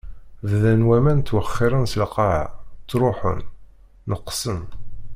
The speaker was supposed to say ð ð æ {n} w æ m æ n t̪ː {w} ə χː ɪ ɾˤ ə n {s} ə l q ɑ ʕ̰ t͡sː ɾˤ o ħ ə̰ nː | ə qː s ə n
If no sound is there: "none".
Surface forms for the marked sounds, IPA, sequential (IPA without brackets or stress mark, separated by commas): n, w, s